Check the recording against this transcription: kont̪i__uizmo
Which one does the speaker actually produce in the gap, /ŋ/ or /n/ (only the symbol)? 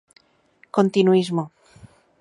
n